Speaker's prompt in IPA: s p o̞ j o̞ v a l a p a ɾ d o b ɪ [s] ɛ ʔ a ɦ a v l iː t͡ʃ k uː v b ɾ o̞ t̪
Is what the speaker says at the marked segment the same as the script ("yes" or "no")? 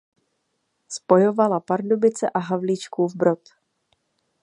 no